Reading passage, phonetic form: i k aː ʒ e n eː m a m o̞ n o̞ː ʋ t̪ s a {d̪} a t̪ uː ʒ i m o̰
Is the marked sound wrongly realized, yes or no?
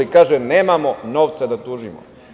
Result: no